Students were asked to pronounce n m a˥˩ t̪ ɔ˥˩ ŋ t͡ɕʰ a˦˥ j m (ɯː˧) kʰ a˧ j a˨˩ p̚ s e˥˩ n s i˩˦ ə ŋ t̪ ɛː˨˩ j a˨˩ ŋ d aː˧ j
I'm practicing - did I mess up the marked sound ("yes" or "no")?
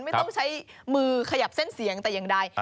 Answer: no